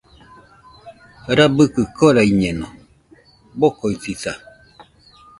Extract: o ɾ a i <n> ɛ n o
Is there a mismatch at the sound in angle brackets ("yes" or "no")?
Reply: yes